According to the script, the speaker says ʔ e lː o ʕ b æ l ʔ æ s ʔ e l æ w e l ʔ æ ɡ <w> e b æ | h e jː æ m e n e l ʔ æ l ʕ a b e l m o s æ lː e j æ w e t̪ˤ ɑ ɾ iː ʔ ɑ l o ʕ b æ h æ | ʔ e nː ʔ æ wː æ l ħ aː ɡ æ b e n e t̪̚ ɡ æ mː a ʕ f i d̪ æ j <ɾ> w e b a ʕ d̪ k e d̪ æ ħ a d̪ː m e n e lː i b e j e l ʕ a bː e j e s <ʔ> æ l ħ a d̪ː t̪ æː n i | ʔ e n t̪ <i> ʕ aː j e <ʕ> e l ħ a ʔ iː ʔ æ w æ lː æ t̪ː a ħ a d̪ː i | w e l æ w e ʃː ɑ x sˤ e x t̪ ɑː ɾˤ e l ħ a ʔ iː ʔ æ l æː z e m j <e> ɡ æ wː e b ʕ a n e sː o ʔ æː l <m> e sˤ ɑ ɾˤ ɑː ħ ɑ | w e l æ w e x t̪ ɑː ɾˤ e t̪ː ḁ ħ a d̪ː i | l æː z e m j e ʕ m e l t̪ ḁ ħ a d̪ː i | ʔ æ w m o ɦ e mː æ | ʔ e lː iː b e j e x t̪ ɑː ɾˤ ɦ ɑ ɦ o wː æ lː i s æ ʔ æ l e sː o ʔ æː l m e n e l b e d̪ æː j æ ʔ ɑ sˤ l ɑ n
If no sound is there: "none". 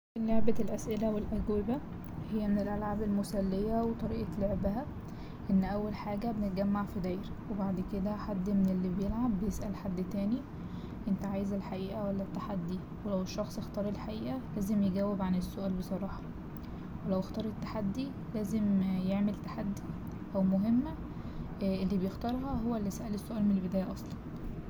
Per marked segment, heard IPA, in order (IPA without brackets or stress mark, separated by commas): w, ɾ, ʔ, æ, z, e, b